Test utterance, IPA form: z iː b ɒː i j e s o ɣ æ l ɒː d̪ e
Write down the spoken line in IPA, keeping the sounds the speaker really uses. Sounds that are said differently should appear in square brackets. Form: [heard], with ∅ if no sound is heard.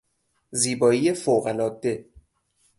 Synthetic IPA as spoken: z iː b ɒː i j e [f] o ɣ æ l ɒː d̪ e